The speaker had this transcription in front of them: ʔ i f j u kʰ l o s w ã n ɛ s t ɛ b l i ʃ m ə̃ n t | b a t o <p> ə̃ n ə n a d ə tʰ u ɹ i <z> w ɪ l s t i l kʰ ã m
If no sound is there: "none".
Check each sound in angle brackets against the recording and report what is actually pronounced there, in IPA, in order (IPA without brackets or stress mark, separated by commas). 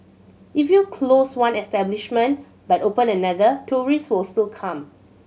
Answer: p, s